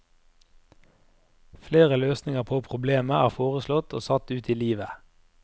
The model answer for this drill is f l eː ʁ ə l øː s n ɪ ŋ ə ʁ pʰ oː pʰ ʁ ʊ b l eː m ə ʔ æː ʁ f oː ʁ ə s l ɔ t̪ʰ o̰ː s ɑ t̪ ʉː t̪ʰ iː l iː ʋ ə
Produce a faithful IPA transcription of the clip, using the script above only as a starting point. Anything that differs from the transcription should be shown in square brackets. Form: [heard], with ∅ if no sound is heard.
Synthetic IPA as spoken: f l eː ʁ ə l øː s n ɪ ŋ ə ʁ pʰ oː pʰ ʁ ʊ b l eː m ə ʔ æː ʁ f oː ʁ ə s l ɔ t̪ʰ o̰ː s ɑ t̪ ʉː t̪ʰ iː l iː ʋ ə